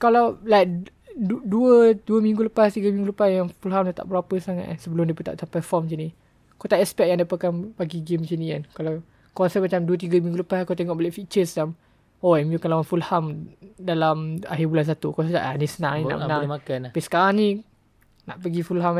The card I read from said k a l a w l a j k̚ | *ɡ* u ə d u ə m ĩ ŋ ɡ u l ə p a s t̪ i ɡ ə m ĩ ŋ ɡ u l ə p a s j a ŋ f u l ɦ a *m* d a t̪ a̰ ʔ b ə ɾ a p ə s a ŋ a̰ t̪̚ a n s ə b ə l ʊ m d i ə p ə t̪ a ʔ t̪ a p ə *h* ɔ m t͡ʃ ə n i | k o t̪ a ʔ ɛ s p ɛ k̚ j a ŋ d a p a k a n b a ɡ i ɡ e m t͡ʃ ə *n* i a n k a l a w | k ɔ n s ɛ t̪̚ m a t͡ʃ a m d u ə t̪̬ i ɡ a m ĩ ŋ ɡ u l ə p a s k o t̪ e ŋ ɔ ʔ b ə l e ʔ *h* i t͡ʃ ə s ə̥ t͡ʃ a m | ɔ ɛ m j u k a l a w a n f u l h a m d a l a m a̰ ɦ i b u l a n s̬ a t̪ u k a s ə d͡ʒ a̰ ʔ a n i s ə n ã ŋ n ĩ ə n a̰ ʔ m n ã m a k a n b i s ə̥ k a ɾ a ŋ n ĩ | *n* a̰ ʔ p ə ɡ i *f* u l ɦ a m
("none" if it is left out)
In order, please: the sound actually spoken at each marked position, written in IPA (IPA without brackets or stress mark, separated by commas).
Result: d, m, f, n, f, n, f